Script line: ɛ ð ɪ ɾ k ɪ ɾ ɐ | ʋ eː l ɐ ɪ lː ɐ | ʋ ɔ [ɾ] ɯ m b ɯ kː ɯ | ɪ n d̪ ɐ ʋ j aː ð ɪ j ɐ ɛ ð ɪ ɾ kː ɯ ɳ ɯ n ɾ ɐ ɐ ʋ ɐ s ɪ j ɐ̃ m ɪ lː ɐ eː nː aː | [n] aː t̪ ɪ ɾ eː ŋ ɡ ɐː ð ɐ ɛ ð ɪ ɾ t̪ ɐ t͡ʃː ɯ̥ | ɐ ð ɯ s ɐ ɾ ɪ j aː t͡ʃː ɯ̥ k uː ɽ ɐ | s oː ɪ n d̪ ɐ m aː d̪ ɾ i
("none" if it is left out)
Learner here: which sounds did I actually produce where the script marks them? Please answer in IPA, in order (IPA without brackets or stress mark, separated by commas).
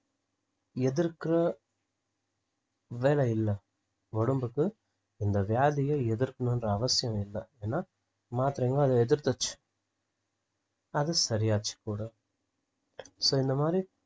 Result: ɽ, m